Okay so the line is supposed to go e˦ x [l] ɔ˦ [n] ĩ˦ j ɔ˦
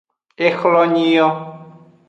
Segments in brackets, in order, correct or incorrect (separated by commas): correct, incorrect